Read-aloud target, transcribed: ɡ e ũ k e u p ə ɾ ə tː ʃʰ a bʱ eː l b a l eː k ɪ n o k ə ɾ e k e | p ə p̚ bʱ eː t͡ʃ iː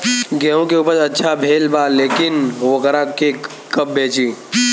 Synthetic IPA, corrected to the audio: ɡ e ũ k e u p ə ɾ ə tː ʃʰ a bʱ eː l b a l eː k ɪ n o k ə ɾ a k e | k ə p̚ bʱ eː t͡ʃ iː